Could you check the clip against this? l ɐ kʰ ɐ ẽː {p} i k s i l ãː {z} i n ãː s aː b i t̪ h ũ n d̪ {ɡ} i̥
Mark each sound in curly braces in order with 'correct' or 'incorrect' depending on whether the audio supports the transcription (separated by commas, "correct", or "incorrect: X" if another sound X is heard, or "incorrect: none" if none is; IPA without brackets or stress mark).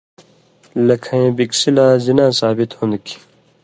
incorrect: b, correct, incorrect: k